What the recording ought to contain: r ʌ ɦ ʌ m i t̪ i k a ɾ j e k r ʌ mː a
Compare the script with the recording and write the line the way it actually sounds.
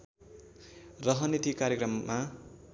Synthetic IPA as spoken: r ʌ ɦ ʌ n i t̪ i k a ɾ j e k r ʌ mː a